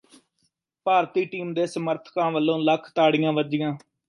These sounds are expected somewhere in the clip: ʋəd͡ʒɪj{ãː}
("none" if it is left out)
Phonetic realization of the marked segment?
ãː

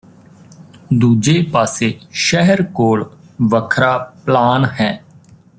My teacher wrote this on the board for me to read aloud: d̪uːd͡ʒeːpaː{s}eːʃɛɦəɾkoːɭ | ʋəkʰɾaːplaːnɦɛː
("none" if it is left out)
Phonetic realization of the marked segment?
s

